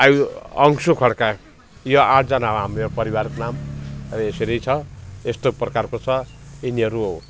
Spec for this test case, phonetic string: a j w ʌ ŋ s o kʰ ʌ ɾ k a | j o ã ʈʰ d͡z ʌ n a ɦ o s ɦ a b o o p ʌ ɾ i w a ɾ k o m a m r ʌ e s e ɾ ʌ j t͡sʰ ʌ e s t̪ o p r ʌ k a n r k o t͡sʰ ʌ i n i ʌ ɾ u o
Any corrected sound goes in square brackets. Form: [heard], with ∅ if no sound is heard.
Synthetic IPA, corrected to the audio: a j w ʌ ŋ s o kʰ ʌ [ɽ] k a | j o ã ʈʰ d͡z ʌ n a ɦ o [∅] ɦ a [m] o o p ʌ ɾ i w a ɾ k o [n] a m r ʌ e s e ɾ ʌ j t͡sʰ ʌ e s t̪ o p r ʌ k a [∅] r k o t͡sʰ ʌ i n i ʌ ɾ u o